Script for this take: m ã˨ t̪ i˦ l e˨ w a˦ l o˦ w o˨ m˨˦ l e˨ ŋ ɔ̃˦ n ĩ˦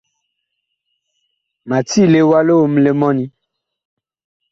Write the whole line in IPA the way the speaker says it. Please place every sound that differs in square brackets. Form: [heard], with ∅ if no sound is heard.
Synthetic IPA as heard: m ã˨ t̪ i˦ l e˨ w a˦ l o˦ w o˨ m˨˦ l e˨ [m] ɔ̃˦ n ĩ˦